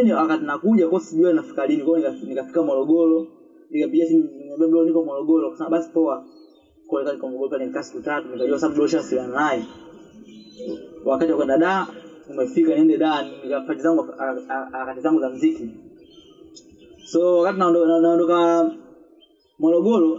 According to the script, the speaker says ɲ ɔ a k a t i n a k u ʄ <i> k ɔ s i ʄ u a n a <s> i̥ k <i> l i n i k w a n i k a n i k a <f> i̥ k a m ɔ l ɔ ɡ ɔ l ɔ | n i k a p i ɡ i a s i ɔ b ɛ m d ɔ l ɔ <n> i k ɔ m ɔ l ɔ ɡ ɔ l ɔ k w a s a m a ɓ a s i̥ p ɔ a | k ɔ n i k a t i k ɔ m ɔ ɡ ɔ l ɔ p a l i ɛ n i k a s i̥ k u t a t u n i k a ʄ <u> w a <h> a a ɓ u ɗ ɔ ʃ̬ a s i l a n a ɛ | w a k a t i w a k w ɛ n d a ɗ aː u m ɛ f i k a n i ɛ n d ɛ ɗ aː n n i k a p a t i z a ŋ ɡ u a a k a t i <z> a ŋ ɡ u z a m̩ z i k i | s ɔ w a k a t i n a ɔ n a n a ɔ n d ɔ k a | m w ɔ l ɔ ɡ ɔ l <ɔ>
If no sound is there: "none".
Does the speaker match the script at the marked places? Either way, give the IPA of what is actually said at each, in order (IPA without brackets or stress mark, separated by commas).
a, f, a, f, n, u, s, z, ɔ